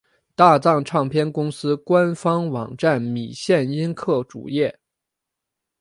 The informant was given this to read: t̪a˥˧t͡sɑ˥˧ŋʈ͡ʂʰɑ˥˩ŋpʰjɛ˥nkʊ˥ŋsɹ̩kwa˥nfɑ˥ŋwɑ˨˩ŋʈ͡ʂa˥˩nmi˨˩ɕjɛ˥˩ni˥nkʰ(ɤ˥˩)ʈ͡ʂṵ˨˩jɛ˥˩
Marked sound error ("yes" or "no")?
no